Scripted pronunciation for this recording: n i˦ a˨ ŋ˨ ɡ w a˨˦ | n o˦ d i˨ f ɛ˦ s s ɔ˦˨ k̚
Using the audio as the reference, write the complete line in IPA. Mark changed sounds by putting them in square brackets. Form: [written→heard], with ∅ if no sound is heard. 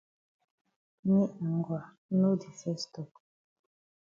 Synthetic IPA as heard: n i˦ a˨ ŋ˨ ɡ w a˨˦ | n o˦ d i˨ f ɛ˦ s [s→t] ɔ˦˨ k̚